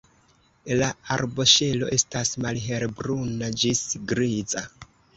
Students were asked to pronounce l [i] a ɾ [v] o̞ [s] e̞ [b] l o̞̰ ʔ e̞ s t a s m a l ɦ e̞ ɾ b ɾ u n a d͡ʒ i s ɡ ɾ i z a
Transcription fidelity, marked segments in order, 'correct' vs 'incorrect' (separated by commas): incorrect, incorrect, incorrect, incorrect